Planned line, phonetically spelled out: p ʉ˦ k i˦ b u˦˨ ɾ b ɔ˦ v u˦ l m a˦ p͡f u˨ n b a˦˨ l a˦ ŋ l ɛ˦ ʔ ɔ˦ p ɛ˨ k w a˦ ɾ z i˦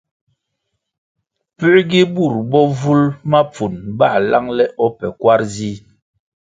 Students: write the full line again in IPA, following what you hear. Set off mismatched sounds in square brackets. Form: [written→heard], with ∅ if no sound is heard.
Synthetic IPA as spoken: p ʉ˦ [k→ɡ] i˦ b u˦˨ ɾ b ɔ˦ v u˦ l m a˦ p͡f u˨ n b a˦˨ l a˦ ŋ l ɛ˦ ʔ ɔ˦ p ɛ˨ k w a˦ ɾ z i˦